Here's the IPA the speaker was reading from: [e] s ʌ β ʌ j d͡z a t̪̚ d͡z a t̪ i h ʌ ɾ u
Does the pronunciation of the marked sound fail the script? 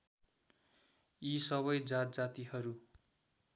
yes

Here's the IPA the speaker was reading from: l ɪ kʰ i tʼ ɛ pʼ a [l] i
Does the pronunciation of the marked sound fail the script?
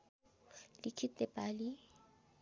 no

